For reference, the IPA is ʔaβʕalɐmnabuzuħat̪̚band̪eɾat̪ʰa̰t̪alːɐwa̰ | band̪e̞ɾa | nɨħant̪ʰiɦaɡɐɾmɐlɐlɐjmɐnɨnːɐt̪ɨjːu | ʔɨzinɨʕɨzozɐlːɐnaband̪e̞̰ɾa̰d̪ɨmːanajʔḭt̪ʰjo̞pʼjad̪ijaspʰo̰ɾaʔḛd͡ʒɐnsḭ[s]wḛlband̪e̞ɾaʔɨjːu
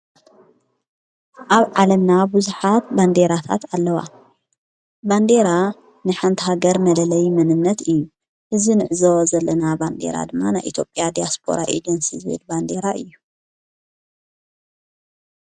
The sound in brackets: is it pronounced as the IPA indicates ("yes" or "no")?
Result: no